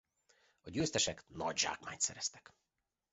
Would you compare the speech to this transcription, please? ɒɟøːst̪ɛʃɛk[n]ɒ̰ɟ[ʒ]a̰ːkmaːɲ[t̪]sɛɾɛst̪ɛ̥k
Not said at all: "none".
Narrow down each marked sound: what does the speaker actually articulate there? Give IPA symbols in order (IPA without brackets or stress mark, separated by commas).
n, ʒ, t̪